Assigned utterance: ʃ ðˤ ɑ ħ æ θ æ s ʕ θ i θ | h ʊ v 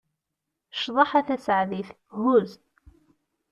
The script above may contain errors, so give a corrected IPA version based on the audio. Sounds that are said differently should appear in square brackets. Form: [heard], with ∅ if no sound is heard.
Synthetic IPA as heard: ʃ ðˤ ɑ ħ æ θ æ s ʕ [ð] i θ | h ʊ [z]